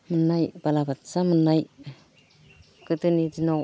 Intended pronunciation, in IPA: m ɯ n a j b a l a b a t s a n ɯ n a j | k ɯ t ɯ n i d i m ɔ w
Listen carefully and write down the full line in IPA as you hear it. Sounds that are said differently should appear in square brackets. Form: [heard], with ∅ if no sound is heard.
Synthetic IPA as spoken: m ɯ n a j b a l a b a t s a [m] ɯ n a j | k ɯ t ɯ n i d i [n] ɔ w